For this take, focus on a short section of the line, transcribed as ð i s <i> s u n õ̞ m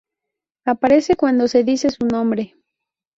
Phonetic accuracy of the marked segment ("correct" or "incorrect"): incorrect